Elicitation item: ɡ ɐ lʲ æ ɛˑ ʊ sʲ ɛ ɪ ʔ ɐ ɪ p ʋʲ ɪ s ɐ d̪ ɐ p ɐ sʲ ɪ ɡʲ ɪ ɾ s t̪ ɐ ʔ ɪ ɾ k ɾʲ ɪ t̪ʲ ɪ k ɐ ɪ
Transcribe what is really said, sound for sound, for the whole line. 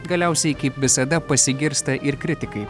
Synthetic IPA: ɡ ɐ lʲ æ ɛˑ ʊ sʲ ɛ ɪ k ɐ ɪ p ʋʲ ɪ s ɐ d̪ ɐ p ɐ sʲ ɪ ɡʲ ɪ ɾ s t̪ ɐ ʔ ɪ ɾ k ɾʲ ɪ t̪ʲ ɪ k ɐ ɪ